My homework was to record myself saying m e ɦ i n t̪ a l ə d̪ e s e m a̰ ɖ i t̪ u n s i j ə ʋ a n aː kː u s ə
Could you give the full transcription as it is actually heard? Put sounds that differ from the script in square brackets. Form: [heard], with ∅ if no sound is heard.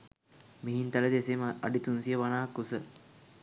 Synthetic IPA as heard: m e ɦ i n t̪ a l ə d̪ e s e m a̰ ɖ i t̪ u n s i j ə ʋ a n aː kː u s ə